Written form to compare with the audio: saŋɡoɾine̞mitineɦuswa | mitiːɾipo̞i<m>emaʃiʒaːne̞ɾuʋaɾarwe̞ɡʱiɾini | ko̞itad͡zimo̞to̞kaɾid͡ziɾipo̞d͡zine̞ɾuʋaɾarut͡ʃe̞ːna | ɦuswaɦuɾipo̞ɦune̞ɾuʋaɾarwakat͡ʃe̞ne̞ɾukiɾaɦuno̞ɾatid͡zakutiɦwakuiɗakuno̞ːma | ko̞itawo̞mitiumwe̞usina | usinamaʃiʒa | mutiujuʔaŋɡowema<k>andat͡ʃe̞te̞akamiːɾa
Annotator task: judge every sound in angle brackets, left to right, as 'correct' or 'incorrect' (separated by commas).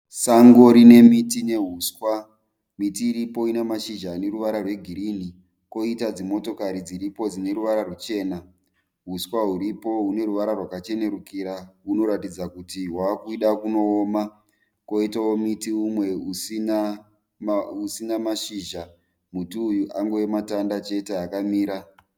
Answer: incorrect, incorrect